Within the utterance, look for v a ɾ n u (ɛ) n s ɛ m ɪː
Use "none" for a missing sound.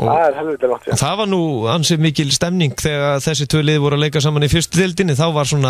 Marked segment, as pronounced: a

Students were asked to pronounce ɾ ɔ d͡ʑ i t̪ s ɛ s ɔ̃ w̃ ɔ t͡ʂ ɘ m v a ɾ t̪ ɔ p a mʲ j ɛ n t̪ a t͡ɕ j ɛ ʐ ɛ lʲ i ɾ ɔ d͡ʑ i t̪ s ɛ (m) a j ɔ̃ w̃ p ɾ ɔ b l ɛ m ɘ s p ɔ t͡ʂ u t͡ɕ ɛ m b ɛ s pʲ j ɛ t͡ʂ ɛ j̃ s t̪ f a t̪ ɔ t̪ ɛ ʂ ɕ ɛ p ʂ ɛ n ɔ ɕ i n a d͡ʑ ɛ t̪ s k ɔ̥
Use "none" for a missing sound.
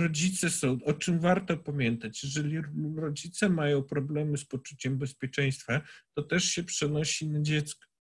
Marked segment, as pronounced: m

